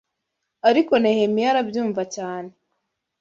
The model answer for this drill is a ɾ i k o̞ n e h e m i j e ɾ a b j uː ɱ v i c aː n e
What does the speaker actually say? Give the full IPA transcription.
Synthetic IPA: a ɾ i k o̞ n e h e m i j a ɾ a b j uː ɱ v a c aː n e